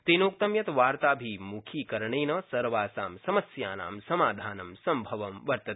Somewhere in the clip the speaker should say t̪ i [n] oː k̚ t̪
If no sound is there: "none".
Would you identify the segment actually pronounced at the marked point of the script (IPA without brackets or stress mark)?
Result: n